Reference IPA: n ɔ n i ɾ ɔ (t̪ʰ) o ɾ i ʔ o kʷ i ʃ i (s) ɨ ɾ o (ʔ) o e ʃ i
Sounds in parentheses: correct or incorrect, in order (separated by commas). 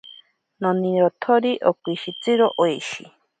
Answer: correct, incorrect, correct